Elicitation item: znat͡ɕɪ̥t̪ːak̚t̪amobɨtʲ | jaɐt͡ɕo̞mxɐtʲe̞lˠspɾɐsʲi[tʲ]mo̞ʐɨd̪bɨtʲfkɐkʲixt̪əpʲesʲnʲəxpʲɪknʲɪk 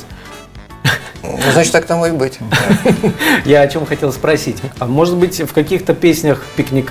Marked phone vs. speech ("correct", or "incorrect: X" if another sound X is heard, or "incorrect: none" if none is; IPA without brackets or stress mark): correct